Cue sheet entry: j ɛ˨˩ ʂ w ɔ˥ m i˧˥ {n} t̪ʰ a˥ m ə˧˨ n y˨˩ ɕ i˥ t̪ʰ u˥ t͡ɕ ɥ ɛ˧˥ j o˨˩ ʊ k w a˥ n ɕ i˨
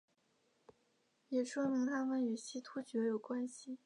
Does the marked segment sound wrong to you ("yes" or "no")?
yes